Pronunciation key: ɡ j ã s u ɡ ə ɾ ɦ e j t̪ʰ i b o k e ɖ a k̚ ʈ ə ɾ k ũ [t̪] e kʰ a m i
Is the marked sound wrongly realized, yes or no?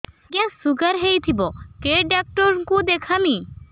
yes